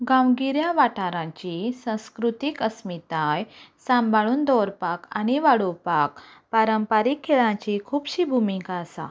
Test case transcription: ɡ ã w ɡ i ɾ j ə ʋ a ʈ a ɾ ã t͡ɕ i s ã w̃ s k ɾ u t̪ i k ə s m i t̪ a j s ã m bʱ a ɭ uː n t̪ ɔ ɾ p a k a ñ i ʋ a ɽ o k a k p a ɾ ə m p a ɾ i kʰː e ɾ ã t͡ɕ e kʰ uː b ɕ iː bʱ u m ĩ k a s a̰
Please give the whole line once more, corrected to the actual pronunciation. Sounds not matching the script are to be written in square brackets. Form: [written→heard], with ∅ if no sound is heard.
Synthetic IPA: ɡ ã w ɡ i ɾ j [ə→a] ʋ a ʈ a ɾ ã t͡ɕ i s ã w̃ s k ɾ u t̪ i k ə s m i t̪ a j s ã m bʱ a ɭ uː n [t̪→d̪] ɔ ɾ p a k a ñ i ʋ a ɽ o [k→p] a k p a ɾ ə m p a ɾ i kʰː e [ɾ→ɭ] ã t͡ɕ [e→i] kʰ uː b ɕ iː bʱ u m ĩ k a s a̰